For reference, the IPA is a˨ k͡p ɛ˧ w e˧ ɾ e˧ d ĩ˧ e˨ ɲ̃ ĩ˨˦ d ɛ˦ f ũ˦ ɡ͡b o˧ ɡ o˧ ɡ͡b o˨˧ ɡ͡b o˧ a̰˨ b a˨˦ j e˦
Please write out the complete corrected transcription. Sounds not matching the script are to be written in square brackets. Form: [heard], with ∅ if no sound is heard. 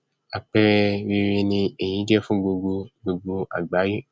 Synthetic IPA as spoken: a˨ k͡p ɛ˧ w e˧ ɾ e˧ [n] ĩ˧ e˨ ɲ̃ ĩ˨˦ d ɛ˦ f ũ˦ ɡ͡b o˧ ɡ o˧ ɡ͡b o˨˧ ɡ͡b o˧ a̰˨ [ɡ͡b] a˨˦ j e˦